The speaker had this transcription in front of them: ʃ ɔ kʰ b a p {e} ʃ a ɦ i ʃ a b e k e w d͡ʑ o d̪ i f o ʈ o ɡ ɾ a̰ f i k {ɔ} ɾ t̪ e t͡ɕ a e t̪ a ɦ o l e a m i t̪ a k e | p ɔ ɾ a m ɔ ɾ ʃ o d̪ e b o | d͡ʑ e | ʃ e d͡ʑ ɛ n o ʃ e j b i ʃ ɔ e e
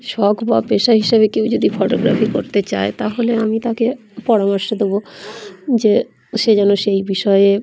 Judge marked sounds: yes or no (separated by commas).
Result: yes, no